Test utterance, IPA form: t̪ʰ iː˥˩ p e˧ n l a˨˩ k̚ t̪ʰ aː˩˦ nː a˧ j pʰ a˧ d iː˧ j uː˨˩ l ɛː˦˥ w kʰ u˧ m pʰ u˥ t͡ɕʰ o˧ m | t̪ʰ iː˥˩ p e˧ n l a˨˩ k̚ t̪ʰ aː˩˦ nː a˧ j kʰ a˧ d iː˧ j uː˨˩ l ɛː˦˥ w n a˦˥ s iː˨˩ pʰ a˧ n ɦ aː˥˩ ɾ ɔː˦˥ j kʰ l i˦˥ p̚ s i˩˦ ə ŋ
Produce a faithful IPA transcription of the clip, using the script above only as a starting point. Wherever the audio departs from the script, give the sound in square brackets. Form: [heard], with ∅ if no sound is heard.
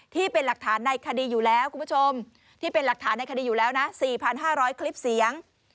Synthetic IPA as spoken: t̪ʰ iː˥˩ p e˧ n l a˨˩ k̚ t̪ʰ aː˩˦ nː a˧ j [kʰ] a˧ d iː˧ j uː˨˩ l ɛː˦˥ w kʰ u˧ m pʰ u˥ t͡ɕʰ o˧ m | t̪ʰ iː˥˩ p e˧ n l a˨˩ k̚ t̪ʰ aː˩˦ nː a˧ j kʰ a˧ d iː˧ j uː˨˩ l ɛː˦˥ w n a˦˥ s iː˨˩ pʰ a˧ n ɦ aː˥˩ ɾ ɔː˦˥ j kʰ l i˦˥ p̚ s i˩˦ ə ŋ